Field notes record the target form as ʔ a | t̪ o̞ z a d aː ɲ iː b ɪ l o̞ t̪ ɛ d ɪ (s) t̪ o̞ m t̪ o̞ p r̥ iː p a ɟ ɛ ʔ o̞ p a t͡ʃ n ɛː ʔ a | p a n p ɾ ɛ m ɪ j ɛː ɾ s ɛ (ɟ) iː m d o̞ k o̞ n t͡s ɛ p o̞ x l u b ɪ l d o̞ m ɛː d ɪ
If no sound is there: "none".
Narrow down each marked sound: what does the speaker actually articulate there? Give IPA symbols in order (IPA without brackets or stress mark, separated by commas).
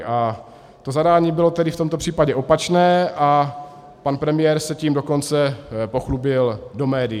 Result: f, c